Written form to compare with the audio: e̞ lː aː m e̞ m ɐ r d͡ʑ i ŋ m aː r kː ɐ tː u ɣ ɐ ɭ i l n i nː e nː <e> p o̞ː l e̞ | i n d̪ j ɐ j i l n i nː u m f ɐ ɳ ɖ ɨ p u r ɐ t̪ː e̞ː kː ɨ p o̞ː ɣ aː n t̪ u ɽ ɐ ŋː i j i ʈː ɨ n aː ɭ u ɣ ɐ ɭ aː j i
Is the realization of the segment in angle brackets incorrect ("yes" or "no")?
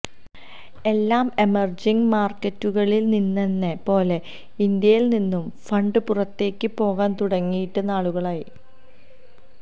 no